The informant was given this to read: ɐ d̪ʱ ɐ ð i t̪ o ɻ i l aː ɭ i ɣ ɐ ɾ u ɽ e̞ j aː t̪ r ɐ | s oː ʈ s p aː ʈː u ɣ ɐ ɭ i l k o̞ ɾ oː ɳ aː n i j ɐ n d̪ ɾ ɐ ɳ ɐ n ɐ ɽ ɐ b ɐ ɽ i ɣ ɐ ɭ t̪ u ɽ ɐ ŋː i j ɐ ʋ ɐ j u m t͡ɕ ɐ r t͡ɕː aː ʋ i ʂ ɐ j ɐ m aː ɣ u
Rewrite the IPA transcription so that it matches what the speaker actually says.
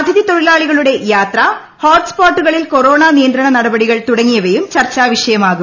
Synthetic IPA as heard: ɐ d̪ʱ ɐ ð i t̪ o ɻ i l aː ɭ i ɣ ɐ ɭ u ɽ e̞ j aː t̪ r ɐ | h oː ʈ s p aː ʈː u ɣ ɐ ɭ i l k o̞ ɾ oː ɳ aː n i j ɐ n d̪ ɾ ɐ ɳ ɐ n ɐ ɽ ɐ b ɐ ɽ i ɣ ɐ ɭ t̪ u ɽ ɐ ŋː i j ɐ ʋ ɐ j u m t͡ɕ ɐ r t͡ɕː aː ʋ i ʂ ɐ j ɐ m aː ɣ u

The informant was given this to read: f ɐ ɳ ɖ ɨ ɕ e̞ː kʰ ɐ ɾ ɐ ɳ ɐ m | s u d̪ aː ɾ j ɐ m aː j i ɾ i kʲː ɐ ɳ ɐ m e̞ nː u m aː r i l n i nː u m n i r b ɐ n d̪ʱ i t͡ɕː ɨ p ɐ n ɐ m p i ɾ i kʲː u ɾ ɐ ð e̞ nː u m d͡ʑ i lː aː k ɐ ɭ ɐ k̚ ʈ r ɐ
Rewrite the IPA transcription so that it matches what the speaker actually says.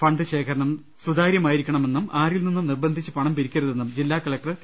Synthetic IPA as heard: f ɐ ɳ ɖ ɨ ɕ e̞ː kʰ ɐ ɾ ɐ ɳ ɐ m | s u d̪ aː ɾ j ɐ m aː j i ɾ i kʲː ɐ ɳ ɐ m e̞ nː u m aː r i l n i nː u m n i r b ɐ n d̪ʱ i t͡ɕː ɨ p ɐ ɳ ɐ m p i ɾ i kʲː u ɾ ɐ ð e̞ nː u m d͡ʑ i lː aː k ɐ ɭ ɐ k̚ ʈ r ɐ

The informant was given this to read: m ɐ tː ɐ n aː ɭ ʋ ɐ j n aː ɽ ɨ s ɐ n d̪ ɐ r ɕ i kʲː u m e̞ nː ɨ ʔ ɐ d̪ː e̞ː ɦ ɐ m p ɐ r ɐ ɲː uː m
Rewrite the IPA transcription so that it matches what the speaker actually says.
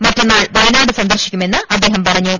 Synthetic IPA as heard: m ɐ tː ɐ nː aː ɭ ʋ ɐ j n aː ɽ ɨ s ɐ n d̪ ɐ r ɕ i kʲː u m e̞ nː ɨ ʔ ɐ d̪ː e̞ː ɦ ɐ m p ɐ r ɐ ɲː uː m

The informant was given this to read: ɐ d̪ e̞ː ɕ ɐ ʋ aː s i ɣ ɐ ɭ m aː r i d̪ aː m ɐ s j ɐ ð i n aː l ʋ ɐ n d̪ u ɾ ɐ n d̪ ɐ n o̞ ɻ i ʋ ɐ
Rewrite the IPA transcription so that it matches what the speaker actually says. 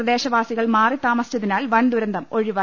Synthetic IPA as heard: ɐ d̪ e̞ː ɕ ɐ ʋ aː s i ɣ ɐ ɭ m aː r i t̪ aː m ɐ s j ɐ ð i n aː l ʋ ɐ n d̪ u ɾ ɐ n d̪ ɐ m o̞ ɻ i ʋ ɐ

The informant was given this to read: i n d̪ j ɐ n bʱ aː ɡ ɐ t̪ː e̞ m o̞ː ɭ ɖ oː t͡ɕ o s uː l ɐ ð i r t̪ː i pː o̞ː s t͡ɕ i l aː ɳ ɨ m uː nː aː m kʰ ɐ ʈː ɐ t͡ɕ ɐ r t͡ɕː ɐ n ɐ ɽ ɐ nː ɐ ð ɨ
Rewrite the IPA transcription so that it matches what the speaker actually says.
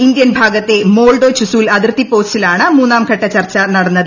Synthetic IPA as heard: i n d̪ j ɐ n bʱ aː ɡ ɐ t̪ː e̞ m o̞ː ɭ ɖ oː t͡ɕ u s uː l ɐ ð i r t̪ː i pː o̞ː s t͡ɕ i l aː ɳ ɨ m uː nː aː m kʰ ɐ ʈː ɐ t͡ɕ ɐ r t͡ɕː ɐ n ɐ ɽ ɐ nː ɐ ð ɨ

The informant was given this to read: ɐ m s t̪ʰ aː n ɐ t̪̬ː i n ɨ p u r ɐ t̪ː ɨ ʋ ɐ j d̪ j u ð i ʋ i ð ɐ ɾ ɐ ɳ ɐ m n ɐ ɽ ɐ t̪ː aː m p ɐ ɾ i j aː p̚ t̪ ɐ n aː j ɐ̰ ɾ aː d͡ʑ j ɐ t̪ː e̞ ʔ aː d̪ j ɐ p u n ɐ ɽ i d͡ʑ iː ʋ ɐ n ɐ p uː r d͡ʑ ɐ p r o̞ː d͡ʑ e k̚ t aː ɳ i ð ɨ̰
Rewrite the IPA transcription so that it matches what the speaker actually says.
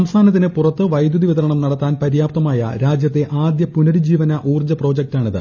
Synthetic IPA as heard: ɐ m s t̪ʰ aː n ɐ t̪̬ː i n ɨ p u r ɐ t̪ː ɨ ʋ ɐ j d̪ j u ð i ʋ i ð ɐ ɾ ɐ ɳ ɐ m n ɐ ɽ ɐ t̪ː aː n p ɐ ɾ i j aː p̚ t̪ ɐ m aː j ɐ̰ ɾ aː d͡ʑ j ɐ t̪ː e̞ ʔ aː d̪ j ɐ p u n ɐ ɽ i d͡ʑ iː ʋ ɐ n ɐ ʔ uː r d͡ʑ ɐ p r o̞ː d͡ʑ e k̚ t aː ɳ i ð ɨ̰

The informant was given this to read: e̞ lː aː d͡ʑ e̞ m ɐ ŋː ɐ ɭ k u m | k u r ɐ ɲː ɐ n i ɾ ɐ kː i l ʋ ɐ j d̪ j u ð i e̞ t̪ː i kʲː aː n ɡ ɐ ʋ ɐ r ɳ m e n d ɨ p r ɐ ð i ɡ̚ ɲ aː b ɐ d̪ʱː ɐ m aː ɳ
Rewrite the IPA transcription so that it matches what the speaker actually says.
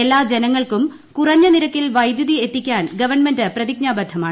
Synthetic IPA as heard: e̞ lː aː d͡ʑ e̞ n ɐ ŋː ɐ ɭ k u m | k u r ɐ ɲː ɐ n i ɾ ɐ kː i l ʋ ɐ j d̪ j u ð i e̞ t̪ː i kʲː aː n ɡ ɐ ʋ ɐ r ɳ m e n d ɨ p r ɐ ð i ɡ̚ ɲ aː b ɐ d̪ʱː ɐ m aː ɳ

